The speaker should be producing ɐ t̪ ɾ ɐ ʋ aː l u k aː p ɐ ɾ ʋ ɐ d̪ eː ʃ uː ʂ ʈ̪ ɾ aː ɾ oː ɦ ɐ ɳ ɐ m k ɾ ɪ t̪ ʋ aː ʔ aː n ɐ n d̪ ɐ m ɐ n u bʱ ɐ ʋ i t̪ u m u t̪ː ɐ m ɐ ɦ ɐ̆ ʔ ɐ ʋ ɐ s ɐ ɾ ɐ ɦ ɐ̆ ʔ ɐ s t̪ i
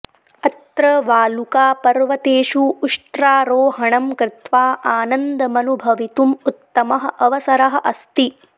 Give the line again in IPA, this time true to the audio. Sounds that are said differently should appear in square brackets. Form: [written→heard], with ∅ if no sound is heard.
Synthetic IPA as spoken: ɐ t̪ ɾ ɐ ʋ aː l u k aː p ɐ ɾ ʋ ɐ [d̪→t̪] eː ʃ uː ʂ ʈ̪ ɾ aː ɾ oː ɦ ɐ ɳ ɐ m k ɾ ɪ t̪ ʋ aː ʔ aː n ɐ n d̪ ɐ m ɐ n u bʱ ɐ ʋ i t̪ u m u t̪ː ɐ m ɐ ɦ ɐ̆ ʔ ɐ ʋ ɐ s ɐ ɾ ɐ ɦ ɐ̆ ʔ ɐ s t̪ i